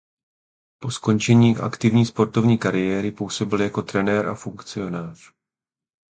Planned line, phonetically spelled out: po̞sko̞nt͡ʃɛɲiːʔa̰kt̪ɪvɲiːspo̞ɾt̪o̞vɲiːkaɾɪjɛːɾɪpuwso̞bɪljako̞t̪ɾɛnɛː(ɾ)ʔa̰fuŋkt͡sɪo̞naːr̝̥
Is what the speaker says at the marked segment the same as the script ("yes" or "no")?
yes